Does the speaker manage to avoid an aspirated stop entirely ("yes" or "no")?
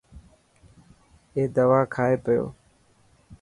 no